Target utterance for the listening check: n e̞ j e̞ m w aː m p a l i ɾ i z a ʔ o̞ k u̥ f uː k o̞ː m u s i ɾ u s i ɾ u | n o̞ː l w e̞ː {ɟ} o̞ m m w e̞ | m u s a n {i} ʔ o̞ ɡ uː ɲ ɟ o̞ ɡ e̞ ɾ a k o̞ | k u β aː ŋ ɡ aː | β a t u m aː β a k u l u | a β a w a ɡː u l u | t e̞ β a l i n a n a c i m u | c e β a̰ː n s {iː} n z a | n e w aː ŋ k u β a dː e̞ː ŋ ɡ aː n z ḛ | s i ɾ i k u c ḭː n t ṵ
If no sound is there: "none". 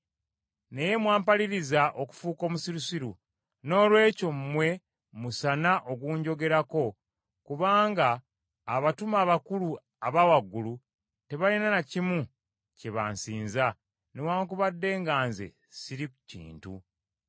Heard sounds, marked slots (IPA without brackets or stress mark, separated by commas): c, a, iː